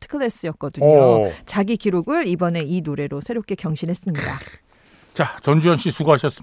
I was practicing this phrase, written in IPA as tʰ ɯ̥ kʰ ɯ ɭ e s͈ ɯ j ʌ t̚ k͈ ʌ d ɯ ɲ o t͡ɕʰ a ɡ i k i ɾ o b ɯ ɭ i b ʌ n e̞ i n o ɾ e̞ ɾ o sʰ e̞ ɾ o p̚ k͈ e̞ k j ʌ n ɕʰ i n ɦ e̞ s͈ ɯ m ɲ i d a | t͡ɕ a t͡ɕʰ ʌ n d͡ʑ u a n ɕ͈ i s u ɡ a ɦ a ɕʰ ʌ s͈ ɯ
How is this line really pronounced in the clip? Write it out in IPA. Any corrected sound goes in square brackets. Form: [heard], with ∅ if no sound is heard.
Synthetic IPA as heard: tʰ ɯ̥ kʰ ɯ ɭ e s͈ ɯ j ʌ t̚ k͈ ʌ d ɯ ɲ o [t͡ɕ] a ɡ i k i ɾ o [ɡ] ɯ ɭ i b ʌ n e̞ i n o ɾ e̞ ɾ o sʰ e̞ ɾ o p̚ k͈ e̞ k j ʌ [ŋ] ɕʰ i n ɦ e̞ s͈ ɯ m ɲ i d a | t͡ɕ a [t͡ɕ] ʌ n d͡ʑ u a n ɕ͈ i s u ɡ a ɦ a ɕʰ ʌ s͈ ɯ